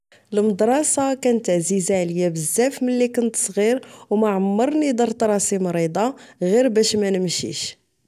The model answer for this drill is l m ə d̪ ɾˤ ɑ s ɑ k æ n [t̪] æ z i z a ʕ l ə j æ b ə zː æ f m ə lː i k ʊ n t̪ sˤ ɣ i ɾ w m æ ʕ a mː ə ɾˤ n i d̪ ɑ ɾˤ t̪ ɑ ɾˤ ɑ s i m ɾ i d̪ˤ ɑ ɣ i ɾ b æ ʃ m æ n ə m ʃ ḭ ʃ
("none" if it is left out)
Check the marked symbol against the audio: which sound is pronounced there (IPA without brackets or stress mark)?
t̪